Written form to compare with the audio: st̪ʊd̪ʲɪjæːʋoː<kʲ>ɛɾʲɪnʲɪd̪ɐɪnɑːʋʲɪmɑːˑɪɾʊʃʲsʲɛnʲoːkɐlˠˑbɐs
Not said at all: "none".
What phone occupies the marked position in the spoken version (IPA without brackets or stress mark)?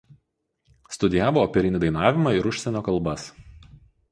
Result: pʲ